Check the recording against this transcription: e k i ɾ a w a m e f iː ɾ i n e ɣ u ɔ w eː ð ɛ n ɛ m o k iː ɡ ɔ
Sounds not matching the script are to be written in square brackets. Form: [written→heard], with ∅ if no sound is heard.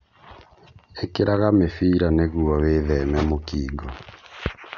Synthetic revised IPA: e k [i→e] ɾ a [w→ɣ] a m e f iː ɾ [i→a] n e ɣ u ɔ w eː ð ɛ [n→m] ɛ m o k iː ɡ ɔ